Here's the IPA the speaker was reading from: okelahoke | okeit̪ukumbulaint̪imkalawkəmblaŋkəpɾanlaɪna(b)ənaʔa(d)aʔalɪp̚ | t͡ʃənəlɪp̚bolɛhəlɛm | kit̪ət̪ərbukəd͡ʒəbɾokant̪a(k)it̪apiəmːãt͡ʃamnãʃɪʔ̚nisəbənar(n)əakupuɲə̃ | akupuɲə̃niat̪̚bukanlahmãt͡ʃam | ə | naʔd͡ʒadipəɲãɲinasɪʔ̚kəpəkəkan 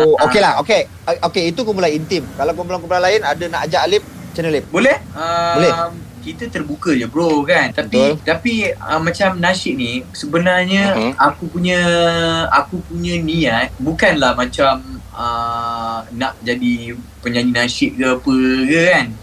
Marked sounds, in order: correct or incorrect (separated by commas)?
incorrect, incorrect, incorrect, incorrect